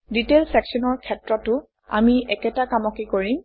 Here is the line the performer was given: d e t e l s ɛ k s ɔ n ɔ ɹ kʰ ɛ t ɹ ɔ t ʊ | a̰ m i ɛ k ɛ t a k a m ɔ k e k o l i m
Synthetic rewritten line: d i t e l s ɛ k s ɔ n ɔ ɹ kʰ ɛ t ɹ ɔ t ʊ | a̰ m i ɛ k ɛ t a k a m ɔ k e k o ɹ i m

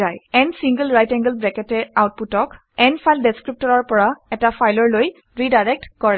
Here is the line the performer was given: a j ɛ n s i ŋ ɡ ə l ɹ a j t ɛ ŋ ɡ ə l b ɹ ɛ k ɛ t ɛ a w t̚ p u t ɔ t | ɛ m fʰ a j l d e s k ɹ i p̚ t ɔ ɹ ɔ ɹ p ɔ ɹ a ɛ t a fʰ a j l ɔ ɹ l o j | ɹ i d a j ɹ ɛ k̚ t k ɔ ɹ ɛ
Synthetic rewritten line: a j ɛ n s i ŋ ɡ ə l ɹ a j t ɛ ŋ ɡ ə l b ɹ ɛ k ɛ t ɛ a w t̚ p u t ɔ k | ɛ n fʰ a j l d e s k ɹ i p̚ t ɔ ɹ ɔ ɹ p ɔ ɹ a ɛ t a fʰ a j l ɔ ɹ l o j | ɹ i d a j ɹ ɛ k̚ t k ɔ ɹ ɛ

